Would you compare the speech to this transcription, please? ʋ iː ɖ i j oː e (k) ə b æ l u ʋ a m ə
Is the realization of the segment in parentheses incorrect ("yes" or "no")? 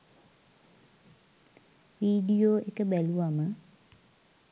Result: no